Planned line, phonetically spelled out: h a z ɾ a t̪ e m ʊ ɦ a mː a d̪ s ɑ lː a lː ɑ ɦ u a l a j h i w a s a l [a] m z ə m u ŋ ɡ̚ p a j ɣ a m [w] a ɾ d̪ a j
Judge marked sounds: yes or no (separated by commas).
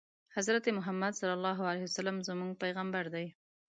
yes, no